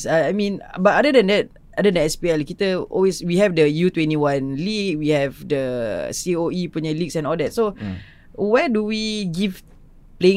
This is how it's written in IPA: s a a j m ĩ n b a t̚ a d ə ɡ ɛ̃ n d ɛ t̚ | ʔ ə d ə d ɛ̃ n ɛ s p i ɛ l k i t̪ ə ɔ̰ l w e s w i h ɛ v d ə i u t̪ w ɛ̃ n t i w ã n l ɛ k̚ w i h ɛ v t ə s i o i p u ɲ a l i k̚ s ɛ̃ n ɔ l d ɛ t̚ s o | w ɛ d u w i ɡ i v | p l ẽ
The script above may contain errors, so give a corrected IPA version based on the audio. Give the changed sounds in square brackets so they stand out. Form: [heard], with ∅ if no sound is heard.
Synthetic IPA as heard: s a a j m ĩ n b a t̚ a d ə [d] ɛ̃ n d ɛ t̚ | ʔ [a] d ə d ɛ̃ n ɛ s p i ɛ l k i t̪ ə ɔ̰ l w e s w i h ɛ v d ə [j] u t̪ w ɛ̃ n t i w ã n l [i] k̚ w i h ɛ v [d] ə s i o i p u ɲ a l i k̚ s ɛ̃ n ɔ l d ɛ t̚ s o | w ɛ d u w i ɡ i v | p l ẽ